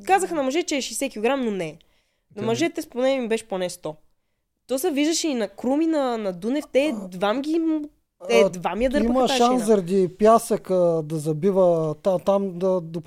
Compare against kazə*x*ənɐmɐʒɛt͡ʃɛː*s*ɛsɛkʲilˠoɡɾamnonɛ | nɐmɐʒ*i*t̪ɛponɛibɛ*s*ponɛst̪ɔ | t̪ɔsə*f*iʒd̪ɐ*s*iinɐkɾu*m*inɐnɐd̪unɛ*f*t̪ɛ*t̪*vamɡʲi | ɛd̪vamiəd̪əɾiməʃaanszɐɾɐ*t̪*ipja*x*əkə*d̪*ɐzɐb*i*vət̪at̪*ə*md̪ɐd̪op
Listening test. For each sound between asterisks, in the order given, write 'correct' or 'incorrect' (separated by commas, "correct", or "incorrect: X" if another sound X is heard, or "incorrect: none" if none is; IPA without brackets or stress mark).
correct, incorrect: ʃ, incorrect: ɛ, incorrect: ʃ, incorrect: v, incorrect: ʃ, correct, correct, incorrect: d̪, incorrect: d̪, incorrect: s, correct, correct, incorrect: a